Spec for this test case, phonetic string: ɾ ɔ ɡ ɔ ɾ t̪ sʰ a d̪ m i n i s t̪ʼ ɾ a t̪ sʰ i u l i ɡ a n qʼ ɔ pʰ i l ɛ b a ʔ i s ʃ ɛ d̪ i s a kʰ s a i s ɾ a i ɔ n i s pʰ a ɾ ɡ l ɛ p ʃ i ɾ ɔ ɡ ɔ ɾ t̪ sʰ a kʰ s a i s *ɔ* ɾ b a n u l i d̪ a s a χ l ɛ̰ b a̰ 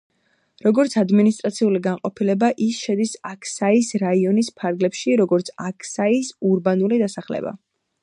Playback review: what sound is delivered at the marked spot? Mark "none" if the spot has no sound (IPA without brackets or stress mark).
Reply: u